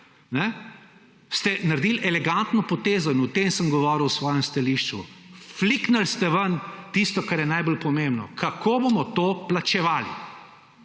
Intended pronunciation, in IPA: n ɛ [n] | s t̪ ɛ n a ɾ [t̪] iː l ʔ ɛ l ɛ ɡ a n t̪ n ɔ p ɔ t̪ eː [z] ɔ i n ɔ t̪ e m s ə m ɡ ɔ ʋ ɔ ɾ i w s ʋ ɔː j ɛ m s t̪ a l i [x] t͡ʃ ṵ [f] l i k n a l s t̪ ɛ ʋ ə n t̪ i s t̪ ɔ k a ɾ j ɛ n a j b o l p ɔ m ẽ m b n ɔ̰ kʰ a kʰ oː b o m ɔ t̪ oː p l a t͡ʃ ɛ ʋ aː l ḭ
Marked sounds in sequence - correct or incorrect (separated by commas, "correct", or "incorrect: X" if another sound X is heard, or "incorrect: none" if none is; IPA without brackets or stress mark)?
incorrect: none, incorrect: d̪, correct, incorrect: ʃ, correct